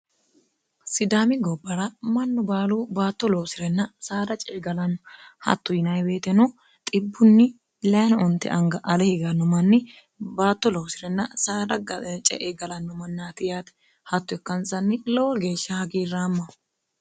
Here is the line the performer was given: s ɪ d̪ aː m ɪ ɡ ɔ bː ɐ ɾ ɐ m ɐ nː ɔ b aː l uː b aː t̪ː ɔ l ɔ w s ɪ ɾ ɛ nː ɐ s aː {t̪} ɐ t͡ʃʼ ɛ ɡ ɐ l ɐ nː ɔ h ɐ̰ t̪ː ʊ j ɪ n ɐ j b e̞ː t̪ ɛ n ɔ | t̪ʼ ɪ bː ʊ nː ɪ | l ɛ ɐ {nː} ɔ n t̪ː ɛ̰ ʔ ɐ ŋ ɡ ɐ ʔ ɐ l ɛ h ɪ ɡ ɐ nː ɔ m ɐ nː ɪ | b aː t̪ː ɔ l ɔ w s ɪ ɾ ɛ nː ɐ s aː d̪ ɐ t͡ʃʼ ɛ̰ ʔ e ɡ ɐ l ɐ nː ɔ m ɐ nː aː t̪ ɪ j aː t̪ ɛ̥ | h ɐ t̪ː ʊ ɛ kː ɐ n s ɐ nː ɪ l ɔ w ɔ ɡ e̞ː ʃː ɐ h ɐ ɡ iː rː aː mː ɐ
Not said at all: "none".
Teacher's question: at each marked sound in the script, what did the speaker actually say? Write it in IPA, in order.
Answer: d̪, n

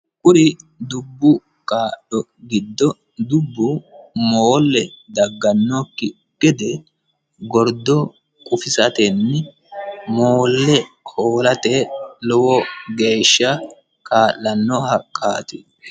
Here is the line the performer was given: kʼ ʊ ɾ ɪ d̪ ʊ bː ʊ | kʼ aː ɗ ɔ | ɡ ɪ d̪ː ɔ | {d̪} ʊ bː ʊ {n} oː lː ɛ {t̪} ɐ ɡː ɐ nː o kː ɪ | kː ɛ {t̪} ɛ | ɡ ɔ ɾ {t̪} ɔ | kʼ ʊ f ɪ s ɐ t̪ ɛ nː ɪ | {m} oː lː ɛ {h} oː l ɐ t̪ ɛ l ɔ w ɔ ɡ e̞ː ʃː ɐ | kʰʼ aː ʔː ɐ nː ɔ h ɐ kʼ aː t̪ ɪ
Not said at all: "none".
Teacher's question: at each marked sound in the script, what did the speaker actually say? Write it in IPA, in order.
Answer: d̪, m, d̪, d̪, d̪, m, h

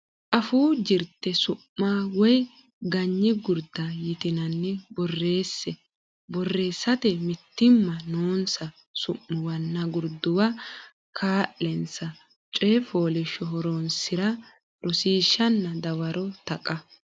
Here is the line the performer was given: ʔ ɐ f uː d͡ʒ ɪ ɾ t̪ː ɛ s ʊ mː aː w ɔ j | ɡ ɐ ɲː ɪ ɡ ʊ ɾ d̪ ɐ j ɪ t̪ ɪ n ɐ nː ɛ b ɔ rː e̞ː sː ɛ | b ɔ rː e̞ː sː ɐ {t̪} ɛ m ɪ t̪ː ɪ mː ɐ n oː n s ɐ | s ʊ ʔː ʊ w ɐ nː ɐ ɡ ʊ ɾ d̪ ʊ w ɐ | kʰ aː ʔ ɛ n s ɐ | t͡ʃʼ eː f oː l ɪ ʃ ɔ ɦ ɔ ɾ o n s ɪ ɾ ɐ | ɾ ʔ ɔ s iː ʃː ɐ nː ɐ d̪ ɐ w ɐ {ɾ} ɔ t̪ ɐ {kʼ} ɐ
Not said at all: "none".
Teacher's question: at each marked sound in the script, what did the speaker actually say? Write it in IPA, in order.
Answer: t̪, ɾ, kʼ

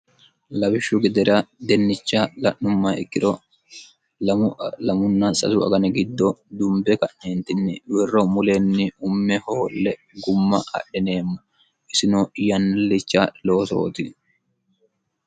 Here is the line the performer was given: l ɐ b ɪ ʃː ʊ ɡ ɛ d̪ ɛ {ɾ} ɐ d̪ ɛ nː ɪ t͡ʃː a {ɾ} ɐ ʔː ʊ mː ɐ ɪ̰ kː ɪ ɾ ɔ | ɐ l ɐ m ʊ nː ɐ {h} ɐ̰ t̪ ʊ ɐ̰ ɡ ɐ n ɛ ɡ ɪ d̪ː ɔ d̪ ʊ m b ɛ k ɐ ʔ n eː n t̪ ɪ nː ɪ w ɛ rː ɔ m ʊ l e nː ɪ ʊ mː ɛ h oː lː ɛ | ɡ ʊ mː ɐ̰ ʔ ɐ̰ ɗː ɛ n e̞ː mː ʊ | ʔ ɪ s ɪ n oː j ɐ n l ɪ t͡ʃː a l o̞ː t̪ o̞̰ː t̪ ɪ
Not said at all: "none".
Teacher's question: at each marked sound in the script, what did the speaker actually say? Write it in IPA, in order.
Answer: ɾ, l, s

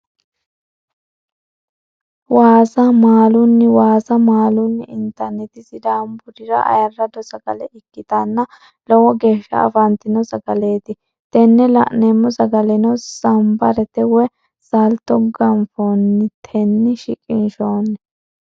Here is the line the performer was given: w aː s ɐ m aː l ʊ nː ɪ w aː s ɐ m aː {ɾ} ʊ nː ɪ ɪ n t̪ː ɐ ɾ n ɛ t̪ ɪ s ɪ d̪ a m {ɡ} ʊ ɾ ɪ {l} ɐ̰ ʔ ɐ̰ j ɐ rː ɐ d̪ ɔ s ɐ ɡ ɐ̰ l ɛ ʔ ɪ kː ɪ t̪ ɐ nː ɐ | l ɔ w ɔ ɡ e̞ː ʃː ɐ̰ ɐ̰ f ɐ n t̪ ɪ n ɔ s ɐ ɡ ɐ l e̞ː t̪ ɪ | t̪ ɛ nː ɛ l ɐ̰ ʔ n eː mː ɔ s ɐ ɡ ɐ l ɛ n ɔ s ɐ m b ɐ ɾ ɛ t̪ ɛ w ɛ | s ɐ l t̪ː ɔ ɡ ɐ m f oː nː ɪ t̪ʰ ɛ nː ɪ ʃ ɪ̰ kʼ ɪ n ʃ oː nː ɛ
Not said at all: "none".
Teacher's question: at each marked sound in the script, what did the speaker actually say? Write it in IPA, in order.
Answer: l, b, ɾ

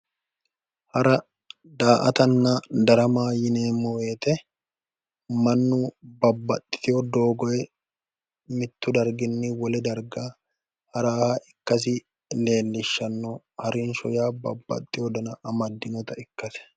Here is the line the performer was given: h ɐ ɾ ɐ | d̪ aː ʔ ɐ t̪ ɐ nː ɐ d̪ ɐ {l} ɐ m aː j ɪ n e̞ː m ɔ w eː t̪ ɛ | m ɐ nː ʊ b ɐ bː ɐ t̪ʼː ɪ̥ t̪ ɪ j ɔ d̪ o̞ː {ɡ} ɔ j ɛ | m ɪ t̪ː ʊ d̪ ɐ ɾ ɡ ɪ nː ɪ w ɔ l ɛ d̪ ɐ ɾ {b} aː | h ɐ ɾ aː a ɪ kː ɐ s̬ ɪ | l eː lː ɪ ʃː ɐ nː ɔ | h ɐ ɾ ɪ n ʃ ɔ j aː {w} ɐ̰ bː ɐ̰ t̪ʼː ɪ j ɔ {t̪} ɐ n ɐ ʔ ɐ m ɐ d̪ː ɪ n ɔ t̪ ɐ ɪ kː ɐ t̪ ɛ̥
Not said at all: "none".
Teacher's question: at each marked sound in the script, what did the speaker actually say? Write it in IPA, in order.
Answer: ɾ, ɡ, ɡ, b, d̪

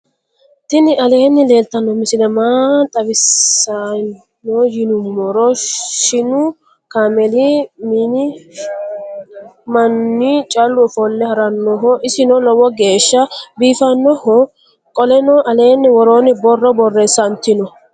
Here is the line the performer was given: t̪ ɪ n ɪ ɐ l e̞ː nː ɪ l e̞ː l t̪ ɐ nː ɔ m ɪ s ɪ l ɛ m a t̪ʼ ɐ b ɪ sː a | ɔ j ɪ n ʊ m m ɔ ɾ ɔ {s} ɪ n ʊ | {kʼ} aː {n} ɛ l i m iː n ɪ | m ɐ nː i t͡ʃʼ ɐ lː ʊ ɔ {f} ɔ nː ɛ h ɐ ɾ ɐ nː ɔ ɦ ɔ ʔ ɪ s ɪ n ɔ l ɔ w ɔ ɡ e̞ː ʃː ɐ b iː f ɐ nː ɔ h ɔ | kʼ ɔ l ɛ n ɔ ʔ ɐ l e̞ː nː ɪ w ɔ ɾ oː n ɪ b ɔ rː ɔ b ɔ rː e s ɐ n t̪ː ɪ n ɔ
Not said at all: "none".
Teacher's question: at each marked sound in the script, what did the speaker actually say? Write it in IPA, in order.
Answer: ʃ, k, m, f

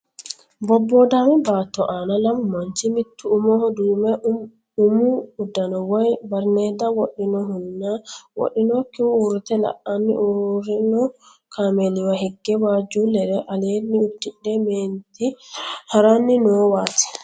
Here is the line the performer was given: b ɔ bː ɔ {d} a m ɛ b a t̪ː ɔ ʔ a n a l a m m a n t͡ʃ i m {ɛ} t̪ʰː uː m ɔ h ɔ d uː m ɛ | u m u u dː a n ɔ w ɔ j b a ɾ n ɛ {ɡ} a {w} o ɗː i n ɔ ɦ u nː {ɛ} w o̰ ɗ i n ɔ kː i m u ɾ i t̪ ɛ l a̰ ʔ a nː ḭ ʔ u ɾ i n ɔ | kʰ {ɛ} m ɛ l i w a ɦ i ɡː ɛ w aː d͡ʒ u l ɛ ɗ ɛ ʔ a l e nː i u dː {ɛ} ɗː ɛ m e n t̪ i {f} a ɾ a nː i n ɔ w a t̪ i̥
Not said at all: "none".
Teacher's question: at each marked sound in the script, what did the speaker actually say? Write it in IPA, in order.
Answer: d, i, d, w, a, a, i, h

